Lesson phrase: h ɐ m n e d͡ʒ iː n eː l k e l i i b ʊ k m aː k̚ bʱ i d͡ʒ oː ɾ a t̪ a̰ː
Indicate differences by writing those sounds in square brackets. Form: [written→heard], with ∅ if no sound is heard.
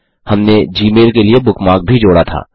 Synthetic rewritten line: h ɐ m n e d͡ʒ iː [n→m] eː l k e l i [i→e] b ʊ k m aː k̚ bʱ i d͡ʒ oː [ɾ→ɽ] a [t̪→t̪ʰ] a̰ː